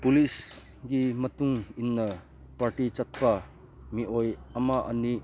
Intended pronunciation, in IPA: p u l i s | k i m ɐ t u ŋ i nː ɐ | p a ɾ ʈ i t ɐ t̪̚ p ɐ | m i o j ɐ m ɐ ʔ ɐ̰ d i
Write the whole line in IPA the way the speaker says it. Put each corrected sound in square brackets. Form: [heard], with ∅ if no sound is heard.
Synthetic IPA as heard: p u l i s | [ɡ] i m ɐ t u ŋ i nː ɐ | p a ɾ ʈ i [t͡ʃ] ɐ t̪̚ p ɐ | m i o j ɐ m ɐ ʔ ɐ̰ [n] i